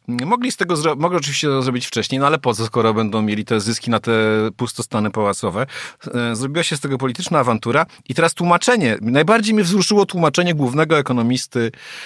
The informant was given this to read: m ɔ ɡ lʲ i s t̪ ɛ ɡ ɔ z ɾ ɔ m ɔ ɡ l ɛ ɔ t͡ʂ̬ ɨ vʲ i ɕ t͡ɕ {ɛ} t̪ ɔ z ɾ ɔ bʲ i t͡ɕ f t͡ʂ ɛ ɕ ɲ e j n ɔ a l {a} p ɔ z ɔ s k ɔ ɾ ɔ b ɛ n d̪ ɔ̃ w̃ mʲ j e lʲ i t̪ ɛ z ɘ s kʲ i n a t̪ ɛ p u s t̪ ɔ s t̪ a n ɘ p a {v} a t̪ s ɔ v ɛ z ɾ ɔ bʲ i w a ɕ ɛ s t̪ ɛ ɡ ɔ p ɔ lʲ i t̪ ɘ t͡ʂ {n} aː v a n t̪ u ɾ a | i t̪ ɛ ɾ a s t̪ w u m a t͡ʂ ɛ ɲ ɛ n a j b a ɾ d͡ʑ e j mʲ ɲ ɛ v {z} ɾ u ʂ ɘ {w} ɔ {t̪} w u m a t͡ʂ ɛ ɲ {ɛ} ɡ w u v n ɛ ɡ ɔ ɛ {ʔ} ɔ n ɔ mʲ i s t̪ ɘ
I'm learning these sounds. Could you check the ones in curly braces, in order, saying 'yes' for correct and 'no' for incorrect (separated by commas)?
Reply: yes, no, no, yes, yes, yes, yes, yes, no